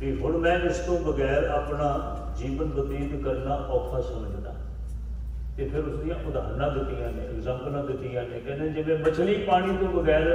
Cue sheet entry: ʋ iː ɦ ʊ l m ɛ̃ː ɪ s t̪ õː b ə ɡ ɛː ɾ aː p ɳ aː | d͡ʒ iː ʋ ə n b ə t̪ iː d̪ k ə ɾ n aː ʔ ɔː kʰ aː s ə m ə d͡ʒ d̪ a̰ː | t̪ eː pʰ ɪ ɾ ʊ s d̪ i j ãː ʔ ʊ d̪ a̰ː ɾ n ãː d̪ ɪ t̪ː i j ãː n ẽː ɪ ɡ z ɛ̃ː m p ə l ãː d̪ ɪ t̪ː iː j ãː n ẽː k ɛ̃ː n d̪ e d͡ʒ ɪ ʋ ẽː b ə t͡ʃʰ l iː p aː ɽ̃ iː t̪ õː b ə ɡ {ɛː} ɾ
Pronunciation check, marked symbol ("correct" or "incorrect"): correct